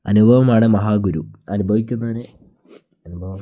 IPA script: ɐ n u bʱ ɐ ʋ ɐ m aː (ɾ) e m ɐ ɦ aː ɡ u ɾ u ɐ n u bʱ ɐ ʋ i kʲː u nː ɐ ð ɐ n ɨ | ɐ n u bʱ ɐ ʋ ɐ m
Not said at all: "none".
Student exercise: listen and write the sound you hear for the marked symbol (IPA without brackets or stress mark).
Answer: ɽ